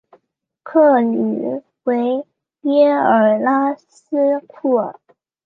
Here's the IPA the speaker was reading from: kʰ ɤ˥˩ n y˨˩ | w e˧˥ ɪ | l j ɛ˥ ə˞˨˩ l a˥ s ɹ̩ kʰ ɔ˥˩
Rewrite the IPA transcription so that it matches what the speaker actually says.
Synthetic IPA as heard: kʰ ɤ˥˩ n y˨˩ | w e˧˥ ɪ | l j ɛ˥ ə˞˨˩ l a˥ s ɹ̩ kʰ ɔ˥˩